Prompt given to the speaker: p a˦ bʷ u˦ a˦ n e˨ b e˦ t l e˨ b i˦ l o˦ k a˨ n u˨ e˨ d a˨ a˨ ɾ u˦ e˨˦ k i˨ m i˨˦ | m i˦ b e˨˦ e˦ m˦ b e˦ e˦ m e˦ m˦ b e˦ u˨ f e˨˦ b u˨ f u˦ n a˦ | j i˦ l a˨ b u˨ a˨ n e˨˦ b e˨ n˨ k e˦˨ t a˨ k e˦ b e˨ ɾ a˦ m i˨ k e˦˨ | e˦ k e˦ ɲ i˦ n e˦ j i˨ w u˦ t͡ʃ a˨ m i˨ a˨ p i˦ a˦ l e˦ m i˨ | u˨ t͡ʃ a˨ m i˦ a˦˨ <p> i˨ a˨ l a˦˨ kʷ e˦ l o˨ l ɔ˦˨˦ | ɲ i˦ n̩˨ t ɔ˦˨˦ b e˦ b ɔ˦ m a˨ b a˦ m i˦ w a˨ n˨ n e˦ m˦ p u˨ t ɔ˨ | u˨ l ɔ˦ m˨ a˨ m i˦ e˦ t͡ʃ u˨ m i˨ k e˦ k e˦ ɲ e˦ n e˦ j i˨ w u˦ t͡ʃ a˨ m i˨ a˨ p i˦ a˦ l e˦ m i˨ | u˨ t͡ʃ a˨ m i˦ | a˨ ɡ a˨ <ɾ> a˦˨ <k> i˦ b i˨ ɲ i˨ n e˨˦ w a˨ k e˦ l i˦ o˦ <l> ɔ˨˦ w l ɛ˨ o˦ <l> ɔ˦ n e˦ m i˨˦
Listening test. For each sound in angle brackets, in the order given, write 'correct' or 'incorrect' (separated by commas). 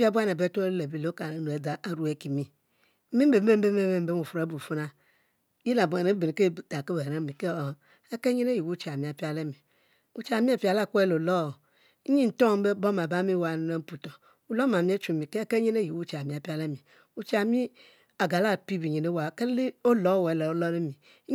correct, incorrect, incorrect, correct, correct